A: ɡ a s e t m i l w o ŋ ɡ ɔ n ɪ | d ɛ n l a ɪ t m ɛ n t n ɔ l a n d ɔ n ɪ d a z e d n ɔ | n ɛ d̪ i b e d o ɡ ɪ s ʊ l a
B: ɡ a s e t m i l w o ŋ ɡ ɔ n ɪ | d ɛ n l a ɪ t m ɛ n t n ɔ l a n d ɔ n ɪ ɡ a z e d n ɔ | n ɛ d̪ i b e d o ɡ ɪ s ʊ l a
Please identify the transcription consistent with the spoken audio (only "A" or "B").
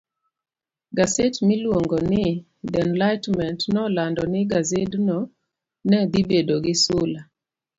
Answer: B